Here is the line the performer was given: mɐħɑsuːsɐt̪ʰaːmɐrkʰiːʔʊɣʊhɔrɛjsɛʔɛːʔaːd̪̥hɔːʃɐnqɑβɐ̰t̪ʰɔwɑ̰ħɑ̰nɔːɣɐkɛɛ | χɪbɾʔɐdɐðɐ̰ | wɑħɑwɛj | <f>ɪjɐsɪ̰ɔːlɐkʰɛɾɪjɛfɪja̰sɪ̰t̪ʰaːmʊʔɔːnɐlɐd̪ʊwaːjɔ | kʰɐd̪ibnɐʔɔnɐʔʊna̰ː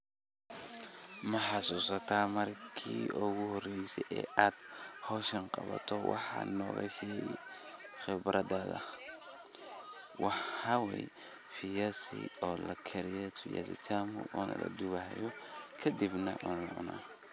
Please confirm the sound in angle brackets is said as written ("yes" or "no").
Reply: yes